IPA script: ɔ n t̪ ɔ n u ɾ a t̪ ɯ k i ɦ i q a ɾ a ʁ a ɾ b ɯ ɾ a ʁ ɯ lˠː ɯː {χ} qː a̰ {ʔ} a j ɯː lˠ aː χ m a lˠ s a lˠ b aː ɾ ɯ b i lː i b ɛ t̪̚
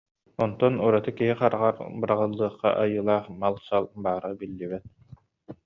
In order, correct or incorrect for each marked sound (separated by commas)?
correct, correct